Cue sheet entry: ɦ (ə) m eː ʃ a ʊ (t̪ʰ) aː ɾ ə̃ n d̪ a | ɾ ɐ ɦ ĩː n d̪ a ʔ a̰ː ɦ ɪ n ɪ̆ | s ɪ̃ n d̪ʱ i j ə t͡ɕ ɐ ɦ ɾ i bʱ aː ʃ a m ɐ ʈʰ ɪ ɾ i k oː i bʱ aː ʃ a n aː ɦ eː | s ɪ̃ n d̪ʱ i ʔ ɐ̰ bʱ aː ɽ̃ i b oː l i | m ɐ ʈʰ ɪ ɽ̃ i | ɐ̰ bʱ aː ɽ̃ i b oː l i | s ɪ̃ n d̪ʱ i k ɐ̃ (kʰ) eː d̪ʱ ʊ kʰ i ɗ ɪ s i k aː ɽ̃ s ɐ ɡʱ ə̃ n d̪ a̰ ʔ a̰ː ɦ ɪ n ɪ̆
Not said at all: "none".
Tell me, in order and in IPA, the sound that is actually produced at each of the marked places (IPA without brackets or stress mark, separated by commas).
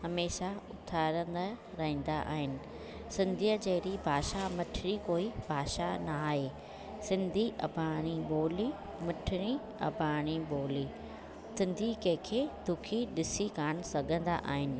ɐ, t̪ʰ, kʰ